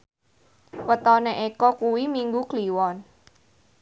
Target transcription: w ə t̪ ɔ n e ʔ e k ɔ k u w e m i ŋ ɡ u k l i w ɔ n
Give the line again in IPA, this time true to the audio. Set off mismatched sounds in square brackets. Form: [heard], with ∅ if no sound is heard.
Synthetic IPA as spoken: w ə t̪ ɔ n e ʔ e k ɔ k u w [i] m i ŋ ɡ u k l i w ɔ n